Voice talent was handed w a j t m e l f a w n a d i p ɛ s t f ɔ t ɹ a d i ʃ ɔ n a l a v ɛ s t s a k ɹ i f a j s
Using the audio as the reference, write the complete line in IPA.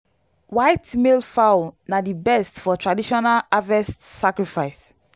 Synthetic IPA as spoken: w a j t m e l f a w n a d i b ɛ s t f ɔ t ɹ a d i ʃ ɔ n a l a v ɛ s t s a k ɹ i f a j s